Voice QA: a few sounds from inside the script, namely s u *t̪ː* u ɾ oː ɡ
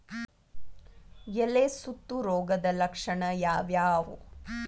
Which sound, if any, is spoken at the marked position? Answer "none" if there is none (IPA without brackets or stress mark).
t̪ː